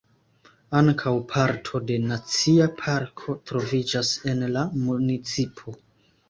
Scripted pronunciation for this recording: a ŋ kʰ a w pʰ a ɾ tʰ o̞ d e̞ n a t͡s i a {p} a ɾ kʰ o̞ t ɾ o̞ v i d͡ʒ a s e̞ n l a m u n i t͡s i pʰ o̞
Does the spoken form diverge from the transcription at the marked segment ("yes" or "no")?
yes